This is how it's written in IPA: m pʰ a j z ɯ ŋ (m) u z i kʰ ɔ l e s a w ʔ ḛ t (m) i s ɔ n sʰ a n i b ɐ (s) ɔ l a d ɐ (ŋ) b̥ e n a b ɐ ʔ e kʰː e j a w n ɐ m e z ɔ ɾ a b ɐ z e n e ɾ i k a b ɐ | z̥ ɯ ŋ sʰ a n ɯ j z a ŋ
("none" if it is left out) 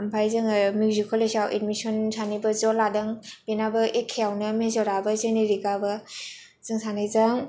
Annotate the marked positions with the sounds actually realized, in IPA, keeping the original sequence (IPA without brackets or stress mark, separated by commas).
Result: m, m, z, ŋ